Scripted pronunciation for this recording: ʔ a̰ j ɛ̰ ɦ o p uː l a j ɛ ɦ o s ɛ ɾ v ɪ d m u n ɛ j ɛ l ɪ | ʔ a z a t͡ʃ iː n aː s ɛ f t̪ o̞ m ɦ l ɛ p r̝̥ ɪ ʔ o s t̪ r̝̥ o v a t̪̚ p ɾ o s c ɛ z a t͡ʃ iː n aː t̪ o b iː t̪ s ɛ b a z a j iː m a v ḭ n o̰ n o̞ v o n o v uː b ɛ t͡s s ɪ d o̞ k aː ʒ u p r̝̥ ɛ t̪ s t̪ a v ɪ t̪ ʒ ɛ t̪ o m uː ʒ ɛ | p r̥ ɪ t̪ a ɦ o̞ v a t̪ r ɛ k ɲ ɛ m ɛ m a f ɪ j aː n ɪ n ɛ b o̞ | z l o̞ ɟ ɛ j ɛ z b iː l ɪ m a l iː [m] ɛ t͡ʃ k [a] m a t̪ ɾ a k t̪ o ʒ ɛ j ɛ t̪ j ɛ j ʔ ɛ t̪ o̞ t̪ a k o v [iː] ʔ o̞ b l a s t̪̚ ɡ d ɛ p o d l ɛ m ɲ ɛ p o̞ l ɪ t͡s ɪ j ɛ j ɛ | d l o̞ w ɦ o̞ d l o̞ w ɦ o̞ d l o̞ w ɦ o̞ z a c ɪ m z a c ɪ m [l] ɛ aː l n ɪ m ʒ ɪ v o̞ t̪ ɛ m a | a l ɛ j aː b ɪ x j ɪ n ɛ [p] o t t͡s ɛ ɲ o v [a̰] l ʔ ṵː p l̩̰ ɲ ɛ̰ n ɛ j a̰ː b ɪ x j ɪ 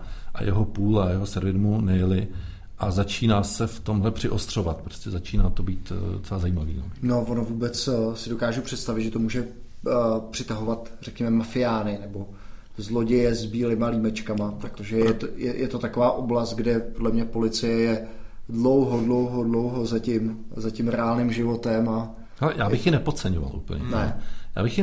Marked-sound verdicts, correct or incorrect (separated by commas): correct, correct, incorrect, incorrect, correct, correct